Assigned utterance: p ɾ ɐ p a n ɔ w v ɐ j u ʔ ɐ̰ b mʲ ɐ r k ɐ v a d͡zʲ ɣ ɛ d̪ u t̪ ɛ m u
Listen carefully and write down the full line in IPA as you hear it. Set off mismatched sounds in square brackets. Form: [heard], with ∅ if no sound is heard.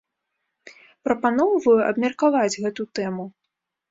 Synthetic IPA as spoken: p ɾ ɐ p a n ɔ w v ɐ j u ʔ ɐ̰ b mʲ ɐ r k [a] v a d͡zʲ ɣ ɛ [t̪] u t̪ ɛ m u

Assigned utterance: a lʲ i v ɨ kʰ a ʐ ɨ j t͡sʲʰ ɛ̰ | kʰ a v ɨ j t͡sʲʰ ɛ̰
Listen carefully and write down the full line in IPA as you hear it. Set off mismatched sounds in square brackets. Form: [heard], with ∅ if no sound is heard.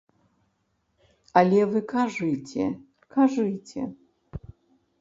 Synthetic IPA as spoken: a lʲ [ɛ] v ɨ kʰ a ʐ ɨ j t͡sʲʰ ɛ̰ | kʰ a [ʐ] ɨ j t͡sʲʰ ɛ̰

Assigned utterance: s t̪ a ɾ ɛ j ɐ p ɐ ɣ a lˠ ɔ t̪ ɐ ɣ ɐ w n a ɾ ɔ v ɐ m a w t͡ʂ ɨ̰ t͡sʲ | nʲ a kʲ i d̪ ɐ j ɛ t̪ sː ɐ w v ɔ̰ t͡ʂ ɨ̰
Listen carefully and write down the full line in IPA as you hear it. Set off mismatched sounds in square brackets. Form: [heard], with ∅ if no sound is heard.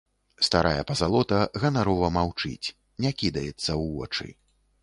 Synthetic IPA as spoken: s t̪ a ɾ [a] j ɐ p ɐ [z] a lˠ ɔ t̪ ɐ ɣ ɐ [∅] n a ɾ ɔ v ɐ m a w t͡ʂ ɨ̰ t͡sʲ | nʲ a kʲ i d̪ ɐ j ɛ t̪ sː ɐ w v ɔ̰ t͡ʂ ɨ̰

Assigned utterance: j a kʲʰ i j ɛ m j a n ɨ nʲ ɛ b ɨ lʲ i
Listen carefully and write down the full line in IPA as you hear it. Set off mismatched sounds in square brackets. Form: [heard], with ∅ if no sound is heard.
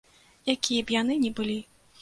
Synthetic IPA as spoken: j a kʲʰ i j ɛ [b] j a n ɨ nʲ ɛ b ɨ lʲ i

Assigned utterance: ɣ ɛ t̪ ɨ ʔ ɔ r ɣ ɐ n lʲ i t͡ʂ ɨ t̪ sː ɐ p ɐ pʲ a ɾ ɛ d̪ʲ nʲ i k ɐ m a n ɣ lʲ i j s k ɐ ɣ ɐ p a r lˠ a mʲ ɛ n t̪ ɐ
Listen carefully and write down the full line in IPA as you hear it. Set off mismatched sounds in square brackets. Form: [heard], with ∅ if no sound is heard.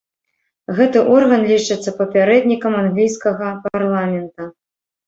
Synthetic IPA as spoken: ɣ ɛ t̪ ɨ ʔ ɔ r ɣ ɐ n lʲ i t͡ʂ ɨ t̪ sː ɐ p ɐ pʲ a ɾ ɛ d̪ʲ nʲ i k ɐ m a n ɣ lʲ i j s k ɐ ɣ ɐ p a r lˠ a mʲ ɛ n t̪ ɐ

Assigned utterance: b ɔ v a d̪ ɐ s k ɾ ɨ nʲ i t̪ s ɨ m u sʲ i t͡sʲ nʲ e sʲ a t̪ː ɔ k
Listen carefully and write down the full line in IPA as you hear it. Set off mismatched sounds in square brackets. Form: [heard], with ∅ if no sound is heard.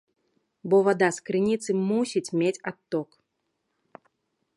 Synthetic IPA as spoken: b ɔ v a d̪ [a] s k ɾ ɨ nʲ i t̪ s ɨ m u sʲ i t͡sʲ [mʲ] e [t͡sʲ] a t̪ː ɔ k

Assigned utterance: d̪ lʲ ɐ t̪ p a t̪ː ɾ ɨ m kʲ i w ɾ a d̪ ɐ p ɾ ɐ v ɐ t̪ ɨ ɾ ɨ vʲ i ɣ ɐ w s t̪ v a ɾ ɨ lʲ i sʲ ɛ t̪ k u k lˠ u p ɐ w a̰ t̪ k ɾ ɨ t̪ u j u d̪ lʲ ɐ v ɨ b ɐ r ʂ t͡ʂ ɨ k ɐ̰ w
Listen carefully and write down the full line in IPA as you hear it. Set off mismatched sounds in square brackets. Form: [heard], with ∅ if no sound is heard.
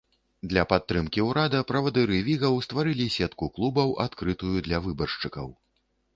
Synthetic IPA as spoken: d̪ lʲ ɐ [∅] p a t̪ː ɾ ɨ m kʲ i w ɾ a d̪ ɐ p ɾ ɐ v ɐ [d̪] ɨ ɾ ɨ vʲ i ɣ ɐ w s t̪ v a ɾ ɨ lʲ i sʲ ɛ t̪ k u k lˠ u [b] ɐ w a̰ t̪ k ɾ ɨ t̪ u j u d̪ lʲ ɐ v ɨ b ɐ r ʂ t͡ʂ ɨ k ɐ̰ w

